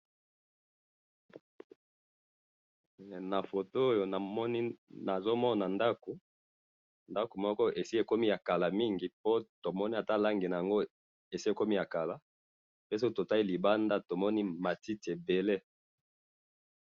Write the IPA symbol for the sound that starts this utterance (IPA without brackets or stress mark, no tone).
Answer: n